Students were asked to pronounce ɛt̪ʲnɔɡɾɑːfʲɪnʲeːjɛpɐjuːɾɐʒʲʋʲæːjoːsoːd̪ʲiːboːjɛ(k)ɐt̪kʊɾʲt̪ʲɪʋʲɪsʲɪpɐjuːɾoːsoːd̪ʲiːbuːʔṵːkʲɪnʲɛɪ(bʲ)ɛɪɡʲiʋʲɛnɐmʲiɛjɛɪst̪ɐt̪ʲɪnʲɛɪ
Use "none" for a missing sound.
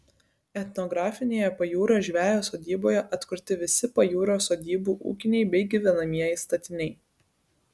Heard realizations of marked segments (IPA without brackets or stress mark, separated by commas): ʔ, bʲ